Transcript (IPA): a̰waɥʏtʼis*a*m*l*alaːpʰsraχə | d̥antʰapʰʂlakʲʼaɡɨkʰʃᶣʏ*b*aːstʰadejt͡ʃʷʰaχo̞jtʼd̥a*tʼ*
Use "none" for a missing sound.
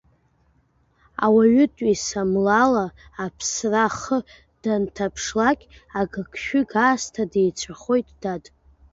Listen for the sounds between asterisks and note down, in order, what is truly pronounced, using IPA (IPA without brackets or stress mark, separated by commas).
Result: a, l, ɡ, tʼ